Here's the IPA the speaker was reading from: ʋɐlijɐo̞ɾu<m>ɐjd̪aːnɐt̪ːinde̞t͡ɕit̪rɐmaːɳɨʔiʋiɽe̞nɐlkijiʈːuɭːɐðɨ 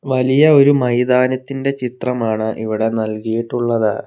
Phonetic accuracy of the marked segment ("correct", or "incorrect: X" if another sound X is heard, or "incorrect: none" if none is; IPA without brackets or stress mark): correct